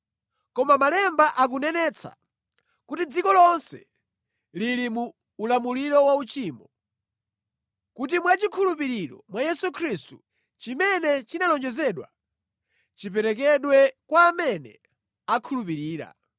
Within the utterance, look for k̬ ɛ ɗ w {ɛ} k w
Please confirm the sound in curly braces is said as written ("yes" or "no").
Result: yes